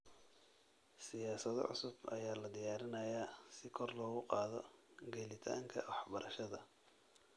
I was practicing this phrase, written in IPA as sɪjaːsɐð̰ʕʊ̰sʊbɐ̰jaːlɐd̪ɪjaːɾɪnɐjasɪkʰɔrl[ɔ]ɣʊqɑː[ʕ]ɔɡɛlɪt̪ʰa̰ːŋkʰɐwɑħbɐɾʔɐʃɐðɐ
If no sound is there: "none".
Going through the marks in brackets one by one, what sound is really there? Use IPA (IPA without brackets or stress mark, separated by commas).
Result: ɔː, ð